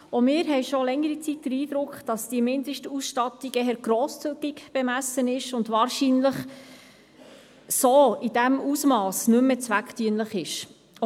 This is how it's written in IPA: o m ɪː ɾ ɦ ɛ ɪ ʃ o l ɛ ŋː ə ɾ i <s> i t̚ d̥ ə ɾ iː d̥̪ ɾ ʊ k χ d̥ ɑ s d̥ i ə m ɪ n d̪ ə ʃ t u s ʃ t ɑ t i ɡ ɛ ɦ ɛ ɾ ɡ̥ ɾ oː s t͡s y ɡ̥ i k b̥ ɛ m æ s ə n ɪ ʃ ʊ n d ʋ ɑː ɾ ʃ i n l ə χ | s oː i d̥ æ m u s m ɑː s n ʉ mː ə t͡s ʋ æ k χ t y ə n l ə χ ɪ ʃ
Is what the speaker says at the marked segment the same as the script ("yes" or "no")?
no